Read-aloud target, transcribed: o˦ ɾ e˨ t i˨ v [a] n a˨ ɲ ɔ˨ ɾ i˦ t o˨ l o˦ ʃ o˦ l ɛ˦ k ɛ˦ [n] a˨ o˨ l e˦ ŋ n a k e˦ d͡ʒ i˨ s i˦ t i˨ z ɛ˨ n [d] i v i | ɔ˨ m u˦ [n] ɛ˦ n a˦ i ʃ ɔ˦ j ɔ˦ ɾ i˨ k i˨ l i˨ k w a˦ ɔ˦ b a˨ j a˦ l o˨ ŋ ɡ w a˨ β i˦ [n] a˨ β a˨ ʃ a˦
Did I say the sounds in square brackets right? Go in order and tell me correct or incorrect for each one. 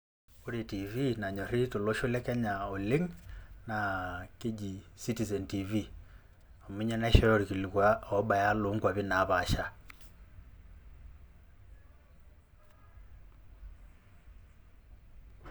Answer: incorrect: i, incorrect: ɲ, incorrect: t, incorrect: ɲ, correct

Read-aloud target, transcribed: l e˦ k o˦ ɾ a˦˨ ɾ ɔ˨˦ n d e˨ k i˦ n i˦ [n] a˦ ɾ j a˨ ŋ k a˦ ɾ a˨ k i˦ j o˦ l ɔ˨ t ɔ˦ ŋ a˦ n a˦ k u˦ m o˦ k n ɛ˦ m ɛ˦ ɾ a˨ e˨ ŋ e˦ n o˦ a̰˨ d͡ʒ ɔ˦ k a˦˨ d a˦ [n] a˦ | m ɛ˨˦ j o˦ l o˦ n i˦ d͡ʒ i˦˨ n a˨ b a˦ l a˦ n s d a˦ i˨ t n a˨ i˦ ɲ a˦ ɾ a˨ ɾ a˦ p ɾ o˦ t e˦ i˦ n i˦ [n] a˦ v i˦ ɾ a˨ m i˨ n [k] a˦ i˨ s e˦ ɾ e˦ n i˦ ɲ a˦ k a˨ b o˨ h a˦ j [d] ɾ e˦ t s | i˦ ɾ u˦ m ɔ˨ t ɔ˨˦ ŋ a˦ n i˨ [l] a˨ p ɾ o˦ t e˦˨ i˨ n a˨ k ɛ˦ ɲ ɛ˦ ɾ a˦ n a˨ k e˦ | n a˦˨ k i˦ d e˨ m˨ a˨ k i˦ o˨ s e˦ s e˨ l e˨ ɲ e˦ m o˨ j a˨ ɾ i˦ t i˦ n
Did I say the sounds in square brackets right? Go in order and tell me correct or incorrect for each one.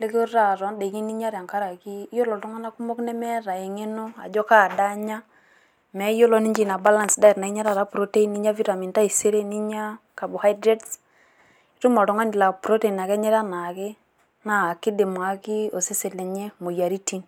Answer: incorrect: ɲ, incorrect: ɲ, incorrect: ɲ, incorrect: t, correct, correct

